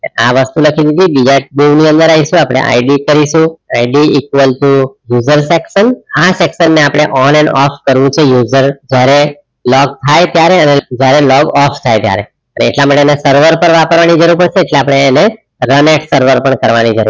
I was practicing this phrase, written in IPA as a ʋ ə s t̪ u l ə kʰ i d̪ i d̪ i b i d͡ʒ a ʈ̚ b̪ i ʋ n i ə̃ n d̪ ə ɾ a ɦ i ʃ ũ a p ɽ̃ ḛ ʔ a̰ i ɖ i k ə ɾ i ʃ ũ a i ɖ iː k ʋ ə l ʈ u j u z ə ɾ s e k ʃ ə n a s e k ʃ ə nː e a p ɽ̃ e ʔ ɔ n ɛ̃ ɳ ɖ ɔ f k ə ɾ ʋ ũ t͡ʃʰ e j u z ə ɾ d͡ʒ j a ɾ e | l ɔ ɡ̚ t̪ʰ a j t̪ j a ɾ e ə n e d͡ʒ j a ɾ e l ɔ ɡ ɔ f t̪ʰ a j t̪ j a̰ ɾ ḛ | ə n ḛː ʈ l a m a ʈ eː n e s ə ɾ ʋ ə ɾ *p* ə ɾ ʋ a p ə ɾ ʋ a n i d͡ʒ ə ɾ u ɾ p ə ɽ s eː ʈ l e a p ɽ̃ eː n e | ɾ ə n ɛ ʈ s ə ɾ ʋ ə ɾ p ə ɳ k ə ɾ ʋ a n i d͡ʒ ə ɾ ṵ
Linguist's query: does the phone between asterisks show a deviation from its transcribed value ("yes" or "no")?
no